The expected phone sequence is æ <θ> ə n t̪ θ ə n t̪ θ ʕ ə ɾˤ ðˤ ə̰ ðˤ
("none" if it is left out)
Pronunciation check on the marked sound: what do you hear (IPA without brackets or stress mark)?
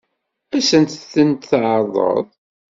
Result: s